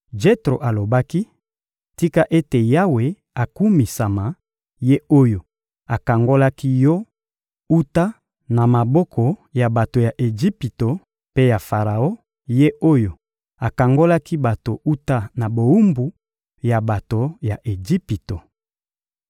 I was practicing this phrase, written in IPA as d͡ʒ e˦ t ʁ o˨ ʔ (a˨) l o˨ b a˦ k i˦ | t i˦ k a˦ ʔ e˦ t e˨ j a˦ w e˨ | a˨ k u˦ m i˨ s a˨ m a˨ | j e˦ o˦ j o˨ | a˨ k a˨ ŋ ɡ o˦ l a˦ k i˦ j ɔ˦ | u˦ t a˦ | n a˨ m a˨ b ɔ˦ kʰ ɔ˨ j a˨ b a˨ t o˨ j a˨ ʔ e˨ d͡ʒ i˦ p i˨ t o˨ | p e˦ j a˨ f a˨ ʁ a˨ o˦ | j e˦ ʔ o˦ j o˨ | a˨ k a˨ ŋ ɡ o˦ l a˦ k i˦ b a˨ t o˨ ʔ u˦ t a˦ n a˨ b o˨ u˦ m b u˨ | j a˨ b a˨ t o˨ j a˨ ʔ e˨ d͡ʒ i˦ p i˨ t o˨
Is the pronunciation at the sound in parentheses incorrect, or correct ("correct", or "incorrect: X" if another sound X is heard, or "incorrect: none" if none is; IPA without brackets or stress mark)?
correct